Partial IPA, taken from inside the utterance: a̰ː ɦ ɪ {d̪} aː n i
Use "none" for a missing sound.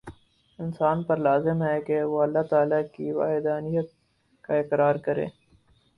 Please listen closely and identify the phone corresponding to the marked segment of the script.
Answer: d̪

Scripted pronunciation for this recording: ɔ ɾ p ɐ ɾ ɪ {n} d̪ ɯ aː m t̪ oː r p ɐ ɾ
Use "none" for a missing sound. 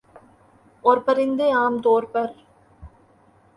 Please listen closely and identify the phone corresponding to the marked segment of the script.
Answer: n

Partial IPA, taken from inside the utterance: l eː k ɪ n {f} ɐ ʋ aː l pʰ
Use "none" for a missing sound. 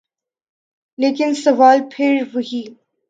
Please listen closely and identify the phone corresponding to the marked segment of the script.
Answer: s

